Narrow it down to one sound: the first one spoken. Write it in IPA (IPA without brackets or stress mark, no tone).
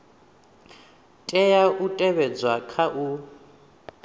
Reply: tʼ